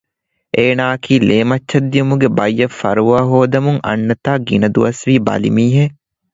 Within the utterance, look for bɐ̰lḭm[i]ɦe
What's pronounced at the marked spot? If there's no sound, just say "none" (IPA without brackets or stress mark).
iː